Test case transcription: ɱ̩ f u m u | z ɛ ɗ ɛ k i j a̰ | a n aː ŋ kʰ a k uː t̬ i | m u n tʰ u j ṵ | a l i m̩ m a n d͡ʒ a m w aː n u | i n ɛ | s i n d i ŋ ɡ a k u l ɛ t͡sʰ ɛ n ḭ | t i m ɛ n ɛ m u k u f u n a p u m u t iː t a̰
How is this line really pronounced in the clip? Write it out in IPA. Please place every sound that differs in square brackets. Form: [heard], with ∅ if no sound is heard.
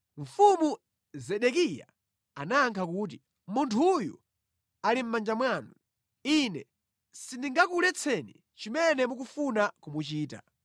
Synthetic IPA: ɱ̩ f u m u | z ɛ ɗ ɛ k i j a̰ | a n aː ŋ kʰ a k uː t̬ i | m u n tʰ u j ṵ | a l i m̩ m a n d͡ʒ a m w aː n u | i n ɛ | s i n d i ŋ ɡ a k u l ɛ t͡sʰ ɛ n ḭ | [t͡ʃ] i m ɛ n ɛ m u k u f u n a [k] u m u [t͡ʃ] iː t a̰

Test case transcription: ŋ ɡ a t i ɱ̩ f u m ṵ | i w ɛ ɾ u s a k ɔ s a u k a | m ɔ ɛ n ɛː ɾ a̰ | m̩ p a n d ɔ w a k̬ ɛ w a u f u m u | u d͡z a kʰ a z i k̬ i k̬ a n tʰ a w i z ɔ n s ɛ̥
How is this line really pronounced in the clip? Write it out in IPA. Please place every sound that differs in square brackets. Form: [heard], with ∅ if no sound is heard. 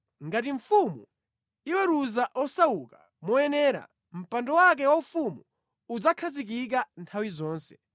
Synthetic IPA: ŋ ɡ a t i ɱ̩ f u m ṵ | i w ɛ ɾ u [z] a [ʔ] ɔ s a u k a | m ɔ ɛ n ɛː ɾ a̰ | m̩ p a n d ɔ w a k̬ ɛ w a u f u m u | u d͡z a kʰ a z i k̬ i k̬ a n tʰ a w i z [ɔː] n s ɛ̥

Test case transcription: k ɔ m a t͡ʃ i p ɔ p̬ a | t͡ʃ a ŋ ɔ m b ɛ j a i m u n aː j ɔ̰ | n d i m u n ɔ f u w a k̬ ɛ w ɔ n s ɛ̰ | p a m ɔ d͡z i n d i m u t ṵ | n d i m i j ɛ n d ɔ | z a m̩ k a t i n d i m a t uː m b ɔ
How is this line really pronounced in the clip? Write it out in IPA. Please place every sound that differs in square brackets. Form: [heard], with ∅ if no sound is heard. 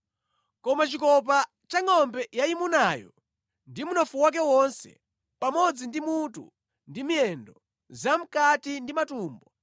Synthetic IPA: k ɔ m a t͡ʃ i [k] ɔ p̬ a | t͡ʃ a ŋ ɔ m b ɛ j a i m u n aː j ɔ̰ | n d i m u n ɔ f u w a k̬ ɛ w ɔ n s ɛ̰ | p a m ɔ d͡z i n d i m u t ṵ | n d i m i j ɛ n d ɔ | z a m̩ k a t i n d i m a t uː m b ɔ

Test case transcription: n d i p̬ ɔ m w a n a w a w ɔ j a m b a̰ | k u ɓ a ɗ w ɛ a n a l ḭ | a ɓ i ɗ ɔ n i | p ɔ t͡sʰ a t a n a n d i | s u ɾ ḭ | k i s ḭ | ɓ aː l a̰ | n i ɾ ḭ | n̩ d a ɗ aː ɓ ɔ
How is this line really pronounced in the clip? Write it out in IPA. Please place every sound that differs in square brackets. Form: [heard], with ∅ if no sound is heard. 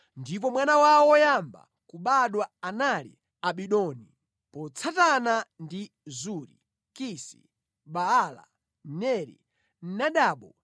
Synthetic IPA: n d i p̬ ɔ m w a n a w a w ɔ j a m b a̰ | k u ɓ a ɗ w [a] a n a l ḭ | a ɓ i ɗ ɔ n i | p ɔ t͡sʰ a t a n a n d i | [z] u ɾ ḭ | k i s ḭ | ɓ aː l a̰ | n [ɛ] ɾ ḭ | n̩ [n] a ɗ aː ɓ ɔ

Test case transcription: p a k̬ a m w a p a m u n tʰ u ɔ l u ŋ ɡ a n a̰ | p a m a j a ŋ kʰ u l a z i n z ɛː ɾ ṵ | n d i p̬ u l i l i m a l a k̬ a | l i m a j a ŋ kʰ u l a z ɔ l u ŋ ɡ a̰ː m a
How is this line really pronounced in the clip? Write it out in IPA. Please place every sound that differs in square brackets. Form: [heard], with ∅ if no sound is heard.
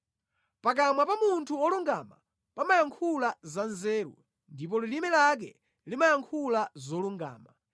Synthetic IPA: p a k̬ a m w a p a m u n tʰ u ɔ l u ŋ ɡ a [m] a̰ | p a m a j a ŋ kʰ u l a z [a] n z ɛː ɾ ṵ | n d i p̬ [ɔ] l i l i m [ɛ] l a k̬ [ɛ] | l i m a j a ŋ kʰ u l a z ɔ l u ŋ ɡ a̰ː m a

